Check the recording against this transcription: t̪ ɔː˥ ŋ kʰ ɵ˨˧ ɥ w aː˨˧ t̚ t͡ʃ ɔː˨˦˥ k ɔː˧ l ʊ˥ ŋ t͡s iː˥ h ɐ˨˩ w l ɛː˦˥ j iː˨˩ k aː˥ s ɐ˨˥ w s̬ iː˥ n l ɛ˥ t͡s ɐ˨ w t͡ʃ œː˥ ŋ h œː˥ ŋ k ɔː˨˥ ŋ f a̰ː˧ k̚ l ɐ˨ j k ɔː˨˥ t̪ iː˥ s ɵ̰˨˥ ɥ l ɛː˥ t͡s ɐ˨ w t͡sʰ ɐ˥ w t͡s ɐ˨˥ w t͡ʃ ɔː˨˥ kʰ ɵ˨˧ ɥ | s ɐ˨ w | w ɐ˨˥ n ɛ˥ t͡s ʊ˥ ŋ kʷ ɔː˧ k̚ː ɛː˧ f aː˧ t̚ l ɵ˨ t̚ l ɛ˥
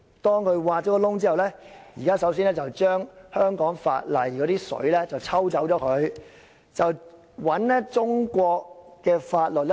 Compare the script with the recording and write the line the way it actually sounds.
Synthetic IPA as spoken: t̪ ɔː˥ ŋ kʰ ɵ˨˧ ɥ w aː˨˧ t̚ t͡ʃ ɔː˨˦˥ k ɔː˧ l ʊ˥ ŋ t͡s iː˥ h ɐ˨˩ w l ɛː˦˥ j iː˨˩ k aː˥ s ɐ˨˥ w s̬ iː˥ n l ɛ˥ t͡s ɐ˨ w t͡ʃ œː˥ ŋ h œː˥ ŋ k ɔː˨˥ ŋ f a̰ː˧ t̚ l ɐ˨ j k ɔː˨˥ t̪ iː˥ s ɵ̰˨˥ ɥ l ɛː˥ t͡s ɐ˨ w t͡sʰ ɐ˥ w t͡s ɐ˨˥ w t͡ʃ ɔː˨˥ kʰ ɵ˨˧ ɥ | t͡s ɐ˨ w | w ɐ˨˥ n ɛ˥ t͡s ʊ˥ ŋ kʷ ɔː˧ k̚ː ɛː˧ f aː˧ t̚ l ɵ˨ t̚ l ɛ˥